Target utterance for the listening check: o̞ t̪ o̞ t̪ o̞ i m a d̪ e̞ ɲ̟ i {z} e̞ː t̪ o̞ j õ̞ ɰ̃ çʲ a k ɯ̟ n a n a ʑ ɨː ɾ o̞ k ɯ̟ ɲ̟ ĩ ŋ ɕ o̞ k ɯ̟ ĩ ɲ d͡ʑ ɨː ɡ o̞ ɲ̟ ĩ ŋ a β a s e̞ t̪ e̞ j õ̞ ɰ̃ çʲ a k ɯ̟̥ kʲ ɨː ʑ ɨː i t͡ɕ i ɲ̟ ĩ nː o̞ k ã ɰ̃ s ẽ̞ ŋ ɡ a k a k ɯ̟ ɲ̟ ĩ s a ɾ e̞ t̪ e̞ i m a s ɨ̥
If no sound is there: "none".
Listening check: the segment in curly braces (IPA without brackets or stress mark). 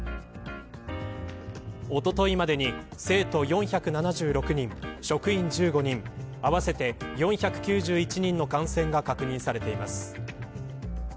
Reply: s